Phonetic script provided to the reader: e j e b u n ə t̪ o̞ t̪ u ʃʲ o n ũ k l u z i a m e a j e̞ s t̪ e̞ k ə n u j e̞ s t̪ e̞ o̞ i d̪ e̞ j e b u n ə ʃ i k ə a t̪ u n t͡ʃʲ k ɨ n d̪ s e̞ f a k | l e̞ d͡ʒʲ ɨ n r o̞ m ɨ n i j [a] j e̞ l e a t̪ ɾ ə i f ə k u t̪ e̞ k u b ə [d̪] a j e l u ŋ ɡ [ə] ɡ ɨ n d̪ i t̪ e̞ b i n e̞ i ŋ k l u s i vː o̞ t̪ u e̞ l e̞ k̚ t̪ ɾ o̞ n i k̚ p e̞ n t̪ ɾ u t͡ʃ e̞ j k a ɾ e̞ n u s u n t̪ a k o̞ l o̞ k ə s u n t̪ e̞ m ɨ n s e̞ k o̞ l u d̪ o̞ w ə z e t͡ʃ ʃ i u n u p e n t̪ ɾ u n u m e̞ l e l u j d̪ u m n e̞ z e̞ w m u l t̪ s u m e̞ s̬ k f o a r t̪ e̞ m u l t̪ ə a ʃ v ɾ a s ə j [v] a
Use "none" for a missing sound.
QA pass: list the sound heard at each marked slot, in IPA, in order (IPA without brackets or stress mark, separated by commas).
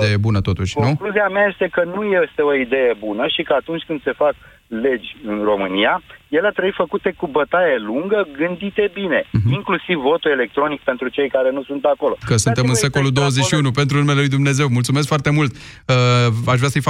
a, t̪, ə, f